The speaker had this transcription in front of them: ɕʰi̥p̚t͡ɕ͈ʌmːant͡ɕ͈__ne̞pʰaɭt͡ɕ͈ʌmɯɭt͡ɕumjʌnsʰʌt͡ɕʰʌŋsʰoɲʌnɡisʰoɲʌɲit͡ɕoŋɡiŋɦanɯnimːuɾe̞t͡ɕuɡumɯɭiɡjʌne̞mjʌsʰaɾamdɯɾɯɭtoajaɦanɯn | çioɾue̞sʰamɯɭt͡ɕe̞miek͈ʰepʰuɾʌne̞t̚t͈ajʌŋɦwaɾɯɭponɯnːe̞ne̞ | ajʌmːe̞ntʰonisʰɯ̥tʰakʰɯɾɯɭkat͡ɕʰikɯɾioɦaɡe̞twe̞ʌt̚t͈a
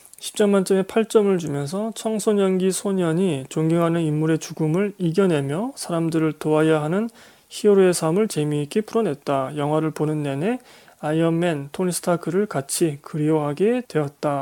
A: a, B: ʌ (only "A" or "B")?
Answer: B